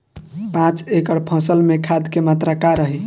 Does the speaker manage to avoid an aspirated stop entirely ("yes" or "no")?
no